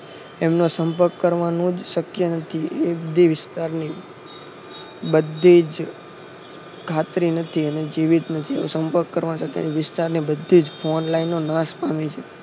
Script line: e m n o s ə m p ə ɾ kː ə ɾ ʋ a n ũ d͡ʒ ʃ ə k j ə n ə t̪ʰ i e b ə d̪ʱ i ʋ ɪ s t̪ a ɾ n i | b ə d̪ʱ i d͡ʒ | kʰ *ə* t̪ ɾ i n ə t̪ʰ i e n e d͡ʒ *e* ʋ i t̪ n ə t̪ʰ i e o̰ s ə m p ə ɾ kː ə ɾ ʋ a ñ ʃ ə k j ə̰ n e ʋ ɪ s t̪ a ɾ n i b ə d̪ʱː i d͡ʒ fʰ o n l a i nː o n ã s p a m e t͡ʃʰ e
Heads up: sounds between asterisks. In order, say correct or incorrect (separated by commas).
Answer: incorrect, incorrect